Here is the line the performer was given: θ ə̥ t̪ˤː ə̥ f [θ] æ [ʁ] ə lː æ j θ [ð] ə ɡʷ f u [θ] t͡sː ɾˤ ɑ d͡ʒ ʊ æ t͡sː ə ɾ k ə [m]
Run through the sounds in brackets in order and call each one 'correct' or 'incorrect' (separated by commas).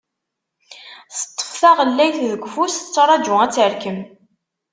correct, correct, correct, incorrect, correct